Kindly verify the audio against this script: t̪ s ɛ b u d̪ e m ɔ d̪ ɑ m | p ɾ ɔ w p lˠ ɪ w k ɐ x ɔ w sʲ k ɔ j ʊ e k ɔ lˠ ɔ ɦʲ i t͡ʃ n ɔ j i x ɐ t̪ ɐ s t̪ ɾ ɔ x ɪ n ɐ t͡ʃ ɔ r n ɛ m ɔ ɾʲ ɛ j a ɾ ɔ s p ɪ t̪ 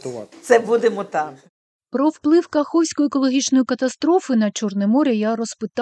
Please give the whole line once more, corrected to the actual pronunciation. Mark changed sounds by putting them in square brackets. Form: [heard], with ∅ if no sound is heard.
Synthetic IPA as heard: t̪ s ɛ b u d̪ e m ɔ [t̪] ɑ m | p ɾ ɔ w p lˠ ɪ w k ɐ x ɔ w sʲ k ɔ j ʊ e k ɔ lˠ ɔ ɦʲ i t͡ʃ n ɔ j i [k] ɐ t̪ ɐ s t̪ ɾ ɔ [f] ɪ n ɐ t͡ʃ ɔ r n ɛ m ɔ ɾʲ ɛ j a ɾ ɔ s p ɪ t̪